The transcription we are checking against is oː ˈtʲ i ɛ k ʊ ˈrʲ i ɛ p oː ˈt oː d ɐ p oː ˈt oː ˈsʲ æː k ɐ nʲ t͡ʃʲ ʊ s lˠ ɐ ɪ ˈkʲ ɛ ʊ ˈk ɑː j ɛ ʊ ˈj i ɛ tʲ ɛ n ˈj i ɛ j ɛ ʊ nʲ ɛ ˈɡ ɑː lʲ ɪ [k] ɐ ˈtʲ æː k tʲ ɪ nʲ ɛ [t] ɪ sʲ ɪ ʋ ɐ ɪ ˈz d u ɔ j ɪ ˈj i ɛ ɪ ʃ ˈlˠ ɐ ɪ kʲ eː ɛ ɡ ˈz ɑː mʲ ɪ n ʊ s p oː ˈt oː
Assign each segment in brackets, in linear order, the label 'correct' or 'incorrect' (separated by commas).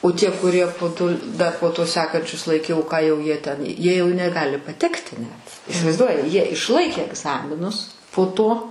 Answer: incorrect, correct